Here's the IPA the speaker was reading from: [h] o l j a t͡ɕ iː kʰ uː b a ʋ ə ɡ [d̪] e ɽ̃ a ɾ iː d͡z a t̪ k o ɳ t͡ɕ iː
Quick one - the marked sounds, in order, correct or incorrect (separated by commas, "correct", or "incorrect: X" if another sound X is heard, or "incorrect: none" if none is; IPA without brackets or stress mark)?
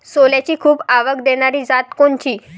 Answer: incorrect: s, correct